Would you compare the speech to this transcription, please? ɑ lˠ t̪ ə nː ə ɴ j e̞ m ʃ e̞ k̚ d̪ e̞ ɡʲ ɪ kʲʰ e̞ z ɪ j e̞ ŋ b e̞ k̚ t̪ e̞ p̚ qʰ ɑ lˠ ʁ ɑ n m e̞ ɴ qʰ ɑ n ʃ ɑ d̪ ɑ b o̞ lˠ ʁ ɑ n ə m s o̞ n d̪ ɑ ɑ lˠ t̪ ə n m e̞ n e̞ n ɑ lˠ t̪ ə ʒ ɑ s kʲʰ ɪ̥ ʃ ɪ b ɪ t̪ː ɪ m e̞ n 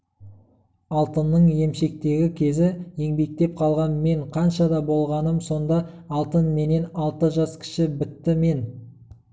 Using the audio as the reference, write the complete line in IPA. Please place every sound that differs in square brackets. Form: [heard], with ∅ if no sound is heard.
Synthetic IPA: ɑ lˠ t̪ ə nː ə ɴ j e̞ m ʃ e̞ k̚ [t̪] e̞ ɡʲ ɪ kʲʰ e̞ z ɪ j e̞ ŋ b e̞ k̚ t̪ e̞ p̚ qʰ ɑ lˠ ʁ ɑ n m e̞ ɴ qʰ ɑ n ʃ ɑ d̪ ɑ b o̞ lˠ ʁ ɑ n ə m s o̞ n d̪ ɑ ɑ lˠ t̪ ə n m e̞ n e̞ n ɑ lˠ t̪ ə ʒ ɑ s kʲʰ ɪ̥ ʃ ɪ b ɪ t̪ː ɪ m e̞ n